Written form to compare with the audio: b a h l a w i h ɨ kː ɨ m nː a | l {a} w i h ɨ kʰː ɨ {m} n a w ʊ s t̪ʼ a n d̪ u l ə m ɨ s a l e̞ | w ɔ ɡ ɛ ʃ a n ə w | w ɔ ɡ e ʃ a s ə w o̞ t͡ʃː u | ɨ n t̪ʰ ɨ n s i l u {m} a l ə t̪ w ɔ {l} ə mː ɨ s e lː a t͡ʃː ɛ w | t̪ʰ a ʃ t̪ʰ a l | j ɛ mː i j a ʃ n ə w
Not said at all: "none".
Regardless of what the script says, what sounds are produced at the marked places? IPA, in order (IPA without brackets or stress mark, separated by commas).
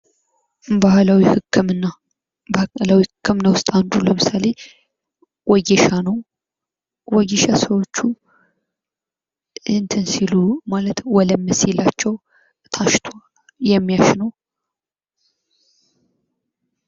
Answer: a, m, m, l